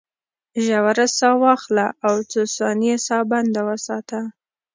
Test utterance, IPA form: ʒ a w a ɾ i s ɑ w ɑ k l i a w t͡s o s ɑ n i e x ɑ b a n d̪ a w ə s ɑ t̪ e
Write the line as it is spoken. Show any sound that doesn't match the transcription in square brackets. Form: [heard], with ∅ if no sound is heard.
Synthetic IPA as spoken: ʒ a w a ɾ [a] s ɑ w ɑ [x] l [a] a w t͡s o s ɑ n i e [s] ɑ b a n d̪ a w ə s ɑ t̪ [a]